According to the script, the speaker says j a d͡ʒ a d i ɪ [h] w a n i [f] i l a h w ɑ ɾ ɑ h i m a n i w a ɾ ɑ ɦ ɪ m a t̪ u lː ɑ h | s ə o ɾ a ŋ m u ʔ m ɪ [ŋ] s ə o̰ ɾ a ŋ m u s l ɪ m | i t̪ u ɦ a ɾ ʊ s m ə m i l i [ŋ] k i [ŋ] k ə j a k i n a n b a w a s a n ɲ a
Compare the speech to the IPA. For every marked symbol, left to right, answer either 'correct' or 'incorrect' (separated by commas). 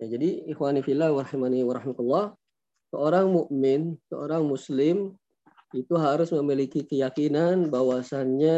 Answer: incorrect, correct, incorrect, incorrect, incorrect